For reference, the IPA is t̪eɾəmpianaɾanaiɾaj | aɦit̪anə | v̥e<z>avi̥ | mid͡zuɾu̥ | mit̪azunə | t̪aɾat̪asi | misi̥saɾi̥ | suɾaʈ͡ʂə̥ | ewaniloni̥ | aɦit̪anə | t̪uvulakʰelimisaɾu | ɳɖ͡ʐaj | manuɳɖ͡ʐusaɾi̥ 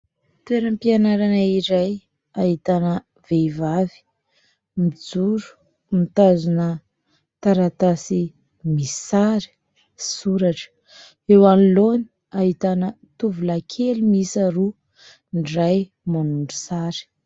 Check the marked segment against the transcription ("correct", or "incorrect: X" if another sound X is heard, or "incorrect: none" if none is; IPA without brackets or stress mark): incorrect: v